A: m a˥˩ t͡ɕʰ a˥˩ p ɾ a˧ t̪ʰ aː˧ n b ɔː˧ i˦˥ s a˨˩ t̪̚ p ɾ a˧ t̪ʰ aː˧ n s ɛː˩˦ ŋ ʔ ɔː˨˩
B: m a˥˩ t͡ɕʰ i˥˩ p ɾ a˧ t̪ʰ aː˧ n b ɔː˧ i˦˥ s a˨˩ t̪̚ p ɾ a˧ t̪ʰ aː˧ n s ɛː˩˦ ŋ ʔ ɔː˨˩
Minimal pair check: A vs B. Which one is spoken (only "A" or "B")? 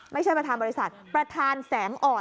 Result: A